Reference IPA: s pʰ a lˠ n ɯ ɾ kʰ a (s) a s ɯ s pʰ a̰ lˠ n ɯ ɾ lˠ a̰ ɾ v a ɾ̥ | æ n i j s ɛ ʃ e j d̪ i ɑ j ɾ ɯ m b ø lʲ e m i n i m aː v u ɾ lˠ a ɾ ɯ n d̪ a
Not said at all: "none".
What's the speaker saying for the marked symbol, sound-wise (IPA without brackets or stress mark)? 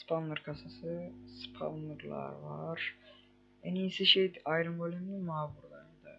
s